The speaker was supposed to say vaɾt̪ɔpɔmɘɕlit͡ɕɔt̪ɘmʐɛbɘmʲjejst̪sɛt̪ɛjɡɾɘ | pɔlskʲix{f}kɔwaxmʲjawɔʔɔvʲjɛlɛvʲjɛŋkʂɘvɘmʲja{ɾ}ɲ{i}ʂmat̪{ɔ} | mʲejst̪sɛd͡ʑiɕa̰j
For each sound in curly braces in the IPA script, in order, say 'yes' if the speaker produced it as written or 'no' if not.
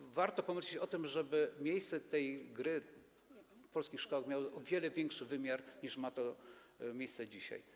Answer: no, yes, yes, yes

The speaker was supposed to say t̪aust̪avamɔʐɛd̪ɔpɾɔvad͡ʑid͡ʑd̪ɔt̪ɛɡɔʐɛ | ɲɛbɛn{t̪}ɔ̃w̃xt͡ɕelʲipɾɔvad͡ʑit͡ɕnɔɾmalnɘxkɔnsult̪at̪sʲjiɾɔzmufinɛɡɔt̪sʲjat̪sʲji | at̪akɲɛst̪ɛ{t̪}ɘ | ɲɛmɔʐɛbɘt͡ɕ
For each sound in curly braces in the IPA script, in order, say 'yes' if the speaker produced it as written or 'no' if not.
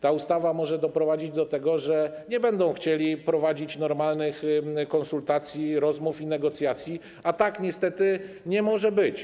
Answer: no, yes

